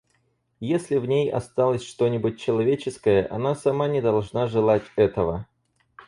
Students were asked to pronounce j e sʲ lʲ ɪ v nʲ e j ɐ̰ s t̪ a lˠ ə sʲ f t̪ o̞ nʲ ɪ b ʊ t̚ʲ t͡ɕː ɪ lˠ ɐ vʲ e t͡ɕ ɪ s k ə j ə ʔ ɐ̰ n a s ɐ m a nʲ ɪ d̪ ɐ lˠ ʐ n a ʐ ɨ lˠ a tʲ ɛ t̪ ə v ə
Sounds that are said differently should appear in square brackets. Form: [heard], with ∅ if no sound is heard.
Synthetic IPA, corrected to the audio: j e sʲ lʲ ɪ v nʲ e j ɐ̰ s t̪ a lˠ ə sʲ [ʂ] t̪ o̞ nʲ ɪ b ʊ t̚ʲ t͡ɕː ɪ lˠ ɐ vʲ e t͡ɕ ɪ s k ə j ə ʔ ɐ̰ n a s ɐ m a nʲ ɪ d̪ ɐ lˠ ʐ n a ʐ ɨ lˠ a tʲ ɛ t̪ ə v ə